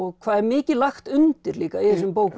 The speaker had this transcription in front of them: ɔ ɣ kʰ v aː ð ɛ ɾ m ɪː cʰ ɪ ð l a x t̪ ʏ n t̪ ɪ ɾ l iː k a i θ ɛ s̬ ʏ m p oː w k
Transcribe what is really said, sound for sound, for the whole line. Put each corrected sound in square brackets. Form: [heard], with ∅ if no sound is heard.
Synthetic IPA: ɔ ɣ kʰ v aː ð ɛ ɾ m ɪː [c] ɪ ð l a x t̪ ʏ n t̪ ɪ ɾ l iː k a i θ ɛ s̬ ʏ m p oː w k